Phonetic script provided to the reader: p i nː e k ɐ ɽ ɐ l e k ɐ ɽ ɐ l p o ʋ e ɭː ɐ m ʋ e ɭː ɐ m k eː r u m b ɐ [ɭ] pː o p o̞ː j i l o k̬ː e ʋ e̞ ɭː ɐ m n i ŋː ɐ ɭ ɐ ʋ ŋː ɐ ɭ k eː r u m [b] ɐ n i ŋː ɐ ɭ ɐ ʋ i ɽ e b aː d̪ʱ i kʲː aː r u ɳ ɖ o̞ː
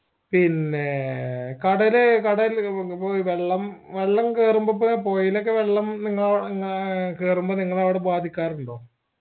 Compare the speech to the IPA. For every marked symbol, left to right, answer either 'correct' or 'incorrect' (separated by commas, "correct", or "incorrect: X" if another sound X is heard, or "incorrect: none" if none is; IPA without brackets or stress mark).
incorrect: none, correct